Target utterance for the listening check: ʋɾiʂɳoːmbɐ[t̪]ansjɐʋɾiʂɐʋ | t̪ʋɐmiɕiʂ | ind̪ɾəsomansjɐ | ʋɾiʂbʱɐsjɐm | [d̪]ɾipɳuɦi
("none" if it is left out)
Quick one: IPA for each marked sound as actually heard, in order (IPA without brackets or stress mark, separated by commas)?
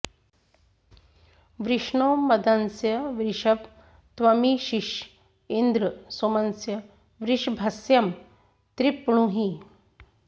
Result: d̪, t̪